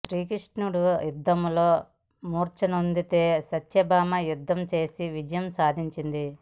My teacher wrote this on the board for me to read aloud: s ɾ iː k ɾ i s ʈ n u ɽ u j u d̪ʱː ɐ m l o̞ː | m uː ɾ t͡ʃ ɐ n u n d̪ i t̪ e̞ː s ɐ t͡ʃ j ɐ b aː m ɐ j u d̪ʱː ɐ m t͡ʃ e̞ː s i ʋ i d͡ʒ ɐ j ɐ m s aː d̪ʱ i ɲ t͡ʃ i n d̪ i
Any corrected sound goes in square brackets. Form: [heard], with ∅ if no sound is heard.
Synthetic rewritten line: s ɾ iː k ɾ i [ʂ] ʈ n u ɽ u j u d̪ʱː ɐ m l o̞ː | m uː ɾ t͡ʃ ɐ n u n d̪ i t̪ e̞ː s ɐ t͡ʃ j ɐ b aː m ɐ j u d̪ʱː ɐ m t͡ʃ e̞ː s i ʋ i d͡ʒ ɐ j ɐ m s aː d̪ʱ i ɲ t͡ʃ i n d̪ i